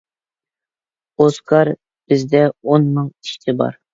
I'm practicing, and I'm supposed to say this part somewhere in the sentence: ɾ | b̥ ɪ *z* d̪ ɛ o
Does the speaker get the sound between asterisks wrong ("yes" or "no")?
no